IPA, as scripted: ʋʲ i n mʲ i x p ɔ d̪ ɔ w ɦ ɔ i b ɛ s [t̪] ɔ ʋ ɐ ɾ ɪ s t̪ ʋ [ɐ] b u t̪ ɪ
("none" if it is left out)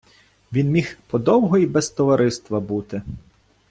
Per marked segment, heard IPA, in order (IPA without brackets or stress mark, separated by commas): t̪, ɐ